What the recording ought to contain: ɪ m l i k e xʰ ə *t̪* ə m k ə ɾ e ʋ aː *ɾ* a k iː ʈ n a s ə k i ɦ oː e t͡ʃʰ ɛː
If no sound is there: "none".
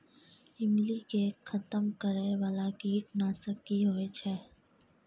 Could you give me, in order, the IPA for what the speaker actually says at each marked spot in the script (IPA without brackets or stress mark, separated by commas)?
t̪, l